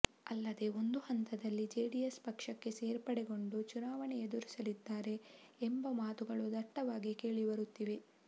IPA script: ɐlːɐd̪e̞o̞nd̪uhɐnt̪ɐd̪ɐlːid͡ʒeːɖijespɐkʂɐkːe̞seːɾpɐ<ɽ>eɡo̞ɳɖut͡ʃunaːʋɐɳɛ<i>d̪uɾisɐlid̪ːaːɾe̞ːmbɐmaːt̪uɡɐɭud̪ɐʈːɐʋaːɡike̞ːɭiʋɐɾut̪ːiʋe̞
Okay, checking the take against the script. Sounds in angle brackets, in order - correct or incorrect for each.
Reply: correct, incorrect

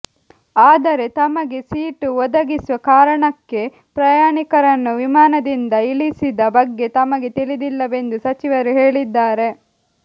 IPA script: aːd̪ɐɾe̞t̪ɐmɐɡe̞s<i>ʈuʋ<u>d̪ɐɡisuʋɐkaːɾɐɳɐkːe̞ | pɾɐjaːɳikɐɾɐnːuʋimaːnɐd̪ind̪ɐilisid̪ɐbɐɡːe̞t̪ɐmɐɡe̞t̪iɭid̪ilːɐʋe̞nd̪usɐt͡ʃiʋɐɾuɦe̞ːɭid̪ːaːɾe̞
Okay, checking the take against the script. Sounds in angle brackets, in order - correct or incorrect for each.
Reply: incorrect, incorrect

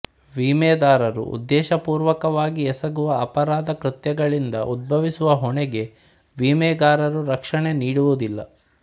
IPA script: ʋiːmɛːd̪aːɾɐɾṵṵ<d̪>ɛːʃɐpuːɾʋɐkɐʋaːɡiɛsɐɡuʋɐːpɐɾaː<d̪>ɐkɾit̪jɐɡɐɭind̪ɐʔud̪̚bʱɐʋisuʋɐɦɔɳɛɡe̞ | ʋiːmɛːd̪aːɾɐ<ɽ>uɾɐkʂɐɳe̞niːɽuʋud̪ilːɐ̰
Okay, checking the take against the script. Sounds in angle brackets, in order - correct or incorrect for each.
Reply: incorrect, correct, incorrect

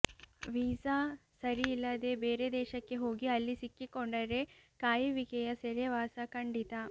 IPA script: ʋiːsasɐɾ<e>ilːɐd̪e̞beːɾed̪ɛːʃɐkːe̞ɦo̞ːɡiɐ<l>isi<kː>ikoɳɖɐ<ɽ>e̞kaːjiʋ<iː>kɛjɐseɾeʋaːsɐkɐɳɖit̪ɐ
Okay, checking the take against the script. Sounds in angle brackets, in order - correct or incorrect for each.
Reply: incorrect, incorrect, correct, incorrect, incorrect

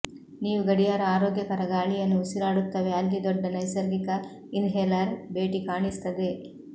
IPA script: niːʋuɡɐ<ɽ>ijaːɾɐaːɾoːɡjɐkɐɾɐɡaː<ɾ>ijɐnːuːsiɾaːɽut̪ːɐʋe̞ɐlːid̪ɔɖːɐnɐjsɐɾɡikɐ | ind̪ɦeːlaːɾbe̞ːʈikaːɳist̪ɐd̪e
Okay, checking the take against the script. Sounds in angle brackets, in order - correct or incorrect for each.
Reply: correct, incorrect

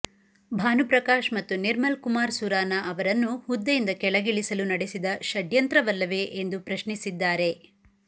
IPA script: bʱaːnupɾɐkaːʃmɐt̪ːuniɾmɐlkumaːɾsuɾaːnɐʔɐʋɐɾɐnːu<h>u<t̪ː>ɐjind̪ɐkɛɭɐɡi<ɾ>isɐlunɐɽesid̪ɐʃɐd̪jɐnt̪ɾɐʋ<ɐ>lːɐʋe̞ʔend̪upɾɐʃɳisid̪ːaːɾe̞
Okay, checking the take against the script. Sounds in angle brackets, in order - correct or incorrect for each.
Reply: correct, incorrect, incorrect, correct

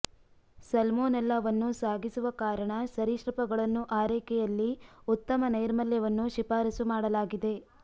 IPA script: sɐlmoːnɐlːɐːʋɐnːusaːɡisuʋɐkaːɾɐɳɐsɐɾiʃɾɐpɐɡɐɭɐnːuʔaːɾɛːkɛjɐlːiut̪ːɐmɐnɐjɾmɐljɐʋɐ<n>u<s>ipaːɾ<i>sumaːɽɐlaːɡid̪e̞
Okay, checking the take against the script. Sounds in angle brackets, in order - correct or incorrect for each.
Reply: incorrect, incorrect, correct

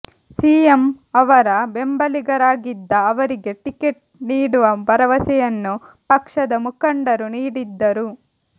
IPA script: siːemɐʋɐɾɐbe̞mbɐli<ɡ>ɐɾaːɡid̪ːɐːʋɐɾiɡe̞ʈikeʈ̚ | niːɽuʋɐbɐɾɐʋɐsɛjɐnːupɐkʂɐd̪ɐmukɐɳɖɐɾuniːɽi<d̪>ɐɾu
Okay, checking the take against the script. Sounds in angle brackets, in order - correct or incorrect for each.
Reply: correct, incorrect

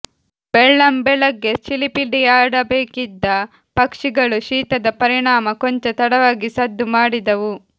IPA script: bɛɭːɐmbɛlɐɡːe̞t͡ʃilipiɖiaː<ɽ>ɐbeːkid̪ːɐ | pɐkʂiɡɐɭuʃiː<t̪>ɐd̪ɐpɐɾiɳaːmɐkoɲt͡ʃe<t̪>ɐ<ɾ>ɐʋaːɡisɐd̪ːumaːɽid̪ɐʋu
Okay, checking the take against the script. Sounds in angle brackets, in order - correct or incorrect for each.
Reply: correct, correct, correct, incorrect

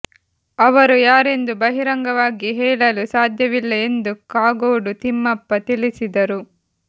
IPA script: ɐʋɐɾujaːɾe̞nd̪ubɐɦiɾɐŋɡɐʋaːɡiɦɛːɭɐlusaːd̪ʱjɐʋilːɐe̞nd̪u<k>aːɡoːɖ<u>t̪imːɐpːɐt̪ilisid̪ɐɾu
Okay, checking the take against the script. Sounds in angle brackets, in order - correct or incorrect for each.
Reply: correct, correct

